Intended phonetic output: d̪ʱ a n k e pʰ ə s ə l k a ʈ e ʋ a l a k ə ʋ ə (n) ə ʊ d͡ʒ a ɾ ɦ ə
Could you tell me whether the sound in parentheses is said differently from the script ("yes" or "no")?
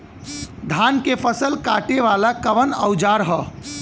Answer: no